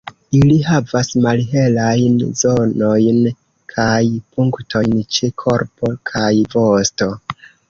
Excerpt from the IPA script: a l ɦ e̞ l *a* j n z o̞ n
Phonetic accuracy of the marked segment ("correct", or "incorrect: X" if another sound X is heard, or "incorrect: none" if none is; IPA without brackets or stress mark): correct